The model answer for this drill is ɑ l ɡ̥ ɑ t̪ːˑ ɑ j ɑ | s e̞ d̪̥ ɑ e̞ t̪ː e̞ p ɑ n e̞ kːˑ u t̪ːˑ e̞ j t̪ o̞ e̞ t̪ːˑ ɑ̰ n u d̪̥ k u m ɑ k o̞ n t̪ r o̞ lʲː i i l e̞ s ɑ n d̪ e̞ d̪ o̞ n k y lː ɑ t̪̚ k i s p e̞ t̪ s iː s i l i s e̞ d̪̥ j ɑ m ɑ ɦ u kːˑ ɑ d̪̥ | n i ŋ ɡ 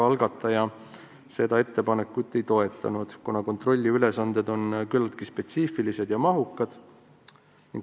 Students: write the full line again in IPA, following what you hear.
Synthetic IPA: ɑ l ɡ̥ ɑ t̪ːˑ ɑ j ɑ | s e̞ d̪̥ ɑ e̞ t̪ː e̞ p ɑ n e̞ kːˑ u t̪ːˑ e̞ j t̪ o̞ e̞ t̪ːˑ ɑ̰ n u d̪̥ k u n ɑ k o̞ n t̪ r o̞ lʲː i y l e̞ s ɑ n d̪ e̞ d̪ o̞ n k y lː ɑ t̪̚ k i s p e̞ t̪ s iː f i l i s e̞ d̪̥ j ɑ m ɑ ɦ u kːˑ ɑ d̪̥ | n i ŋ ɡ